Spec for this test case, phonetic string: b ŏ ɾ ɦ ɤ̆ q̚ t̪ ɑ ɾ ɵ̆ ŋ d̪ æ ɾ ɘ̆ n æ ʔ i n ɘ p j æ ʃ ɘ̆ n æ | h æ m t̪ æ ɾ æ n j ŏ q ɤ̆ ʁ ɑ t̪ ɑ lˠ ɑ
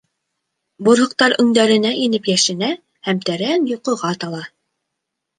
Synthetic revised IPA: b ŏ ɾ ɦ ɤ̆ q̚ t̪ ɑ ɾ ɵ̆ ŋ d̪ æ ɾ ɘ̆ n æ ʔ i n ɘ p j æ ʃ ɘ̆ n æ | h æ m t̪ æ ɾ æ n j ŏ q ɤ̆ ʁ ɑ t̪ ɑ lˠ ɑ